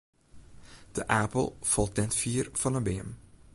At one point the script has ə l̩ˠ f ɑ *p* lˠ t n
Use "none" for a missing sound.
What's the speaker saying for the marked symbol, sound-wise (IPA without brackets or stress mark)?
none